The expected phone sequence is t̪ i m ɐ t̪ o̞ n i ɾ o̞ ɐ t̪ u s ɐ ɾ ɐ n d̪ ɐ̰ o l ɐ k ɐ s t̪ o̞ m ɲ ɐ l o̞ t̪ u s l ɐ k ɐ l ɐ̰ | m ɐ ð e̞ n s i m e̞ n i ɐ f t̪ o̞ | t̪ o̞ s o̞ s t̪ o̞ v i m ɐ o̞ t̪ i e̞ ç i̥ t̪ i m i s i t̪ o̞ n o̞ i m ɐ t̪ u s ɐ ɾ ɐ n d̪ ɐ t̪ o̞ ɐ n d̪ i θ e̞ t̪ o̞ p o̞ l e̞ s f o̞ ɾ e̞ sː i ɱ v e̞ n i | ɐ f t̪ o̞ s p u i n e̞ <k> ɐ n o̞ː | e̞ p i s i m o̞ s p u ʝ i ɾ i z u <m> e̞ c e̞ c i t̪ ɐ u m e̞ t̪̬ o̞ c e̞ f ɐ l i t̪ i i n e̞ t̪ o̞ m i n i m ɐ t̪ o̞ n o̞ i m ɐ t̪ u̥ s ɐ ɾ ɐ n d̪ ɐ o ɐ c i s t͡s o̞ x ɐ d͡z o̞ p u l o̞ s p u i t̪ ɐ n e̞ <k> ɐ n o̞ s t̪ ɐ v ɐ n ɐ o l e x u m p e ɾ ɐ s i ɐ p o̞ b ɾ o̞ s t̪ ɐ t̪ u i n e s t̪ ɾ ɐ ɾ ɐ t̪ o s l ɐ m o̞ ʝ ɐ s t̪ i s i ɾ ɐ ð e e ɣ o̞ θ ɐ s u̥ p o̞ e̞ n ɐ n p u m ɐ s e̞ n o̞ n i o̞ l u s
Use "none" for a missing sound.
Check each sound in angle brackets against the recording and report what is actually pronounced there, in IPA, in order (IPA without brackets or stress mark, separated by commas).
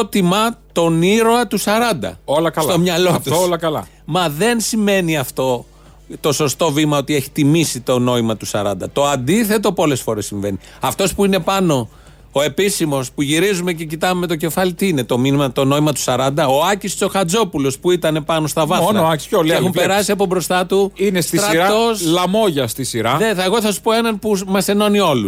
p, m, p